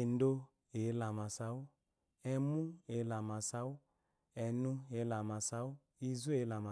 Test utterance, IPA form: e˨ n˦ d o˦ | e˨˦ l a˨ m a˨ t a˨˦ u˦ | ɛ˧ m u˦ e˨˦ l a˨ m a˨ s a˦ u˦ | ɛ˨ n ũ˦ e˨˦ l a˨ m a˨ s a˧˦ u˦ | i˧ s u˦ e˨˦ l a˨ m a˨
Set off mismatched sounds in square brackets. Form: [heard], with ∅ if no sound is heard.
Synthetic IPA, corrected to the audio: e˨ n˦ d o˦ | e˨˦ l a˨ m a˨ [s] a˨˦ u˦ | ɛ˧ m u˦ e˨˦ l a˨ m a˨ s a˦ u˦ | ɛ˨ n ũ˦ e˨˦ l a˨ m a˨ s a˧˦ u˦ | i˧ [z] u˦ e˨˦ l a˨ m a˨